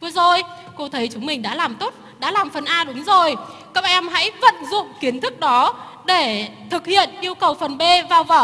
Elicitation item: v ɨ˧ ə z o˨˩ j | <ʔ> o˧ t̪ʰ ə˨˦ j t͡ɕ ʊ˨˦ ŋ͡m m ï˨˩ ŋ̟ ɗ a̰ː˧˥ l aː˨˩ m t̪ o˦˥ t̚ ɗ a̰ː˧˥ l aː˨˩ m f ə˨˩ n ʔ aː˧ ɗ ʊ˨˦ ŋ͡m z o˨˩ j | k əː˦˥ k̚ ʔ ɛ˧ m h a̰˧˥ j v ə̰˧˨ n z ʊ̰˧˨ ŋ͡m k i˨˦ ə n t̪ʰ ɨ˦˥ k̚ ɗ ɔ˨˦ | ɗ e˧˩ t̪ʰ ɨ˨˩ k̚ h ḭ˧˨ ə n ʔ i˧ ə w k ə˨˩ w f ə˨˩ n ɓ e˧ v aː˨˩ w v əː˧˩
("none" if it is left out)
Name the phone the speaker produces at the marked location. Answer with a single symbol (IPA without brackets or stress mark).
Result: k